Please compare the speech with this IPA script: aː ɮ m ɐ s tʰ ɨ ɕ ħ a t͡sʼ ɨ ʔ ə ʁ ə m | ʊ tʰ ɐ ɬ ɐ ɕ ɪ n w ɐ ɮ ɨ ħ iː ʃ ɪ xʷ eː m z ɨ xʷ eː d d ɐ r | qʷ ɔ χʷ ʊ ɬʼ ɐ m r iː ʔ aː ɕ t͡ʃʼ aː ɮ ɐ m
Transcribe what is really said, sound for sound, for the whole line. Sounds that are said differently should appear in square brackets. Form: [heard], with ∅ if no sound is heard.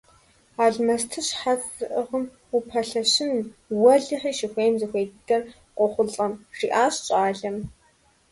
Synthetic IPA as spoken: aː ɮ m ɐ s tʰ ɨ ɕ ħ a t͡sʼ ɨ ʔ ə ʁ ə m | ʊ [pʰ] ɐ ɬ ɐ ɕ ɪ n w ɐ ɮ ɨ ħ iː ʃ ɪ xʷ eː m z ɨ xʷ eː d d ɐ r | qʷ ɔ χʷ ʊ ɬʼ ɐ m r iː ʔ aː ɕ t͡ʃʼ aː ɮ ɐ m